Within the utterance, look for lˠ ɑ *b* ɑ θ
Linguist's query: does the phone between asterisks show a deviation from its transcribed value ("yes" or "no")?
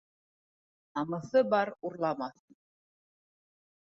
yes